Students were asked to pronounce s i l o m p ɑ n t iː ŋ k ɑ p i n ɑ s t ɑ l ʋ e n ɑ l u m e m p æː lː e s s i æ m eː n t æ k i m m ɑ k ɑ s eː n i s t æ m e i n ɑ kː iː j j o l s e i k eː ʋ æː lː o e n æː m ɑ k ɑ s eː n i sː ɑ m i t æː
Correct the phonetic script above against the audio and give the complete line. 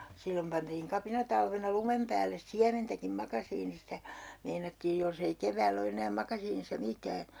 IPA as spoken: s i lː o m p ɑ n t iː ŋ k ɑ p i n ɑ t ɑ l ʋ e n ɑ l u m e m p æː lː e s s i æ m e n t æ k i m m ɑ k ɑ s iː n i s t æ m e i n ɑ tː iː j j o l s e i k e ʋ æː lː o e n æː m ɑ k ɑ s iː n i sː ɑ m i t æː